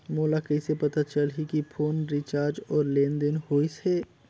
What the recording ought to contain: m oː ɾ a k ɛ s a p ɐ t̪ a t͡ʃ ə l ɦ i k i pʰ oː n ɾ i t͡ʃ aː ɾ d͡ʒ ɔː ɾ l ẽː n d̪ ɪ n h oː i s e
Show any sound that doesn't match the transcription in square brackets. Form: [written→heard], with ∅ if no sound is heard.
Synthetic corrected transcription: m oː [ɾ→l] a k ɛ s [a→e] p ɐ t̪ a t͡ʃ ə l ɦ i k i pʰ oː n ɾ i t͡ʃ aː ɾ d͡ʒ ɔː ɾ l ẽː n d̪ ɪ n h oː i s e